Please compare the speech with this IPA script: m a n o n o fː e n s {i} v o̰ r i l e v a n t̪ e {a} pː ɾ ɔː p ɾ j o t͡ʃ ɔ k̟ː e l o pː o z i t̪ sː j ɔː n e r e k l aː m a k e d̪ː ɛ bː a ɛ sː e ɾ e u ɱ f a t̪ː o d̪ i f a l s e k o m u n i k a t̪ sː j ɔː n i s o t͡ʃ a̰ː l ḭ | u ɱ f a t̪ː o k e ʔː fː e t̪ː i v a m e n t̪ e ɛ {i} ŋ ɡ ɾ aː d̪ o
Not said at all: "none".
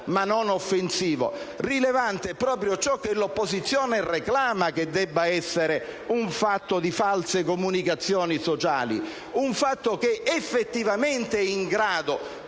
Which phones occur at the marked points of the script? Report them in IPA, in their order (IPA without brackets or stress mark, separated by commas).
iː, ɛ, i